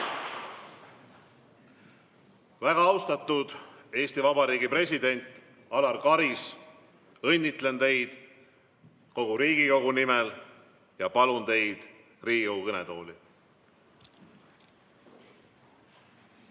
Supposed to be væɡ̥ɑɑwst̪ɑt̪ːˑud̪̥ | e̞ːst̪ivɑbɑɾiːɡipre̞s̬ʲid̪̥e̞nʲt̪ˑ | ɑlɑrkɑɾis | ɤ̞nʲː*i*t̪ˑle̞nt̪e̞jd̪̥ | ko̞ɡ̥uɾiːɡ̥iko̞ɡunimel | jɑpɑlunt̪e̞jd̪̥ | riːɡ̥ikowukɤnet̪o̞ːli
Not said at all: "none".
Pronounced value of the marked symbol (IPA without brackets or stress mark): i